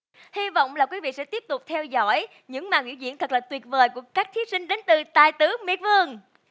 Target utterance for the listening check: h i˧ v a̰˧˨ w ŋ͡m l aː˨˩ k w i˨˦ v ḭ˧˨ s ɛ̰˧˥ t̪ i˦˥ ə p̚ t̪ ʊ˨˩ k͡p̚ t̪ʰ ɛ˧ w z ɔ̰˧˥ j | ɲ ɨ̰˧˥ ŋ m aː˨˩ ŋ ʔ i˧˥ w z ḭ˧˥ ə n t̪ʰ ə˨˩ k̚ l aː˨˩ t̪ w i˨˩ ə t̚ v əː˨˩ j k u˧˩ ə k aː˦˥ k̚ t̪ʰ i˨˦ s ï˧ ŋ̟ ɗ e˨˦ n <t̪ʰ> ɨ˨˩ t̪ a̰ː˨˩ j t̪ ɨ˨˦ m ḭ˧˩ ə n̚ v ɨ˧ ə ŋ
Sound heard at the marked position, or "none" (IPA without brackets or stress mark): t̪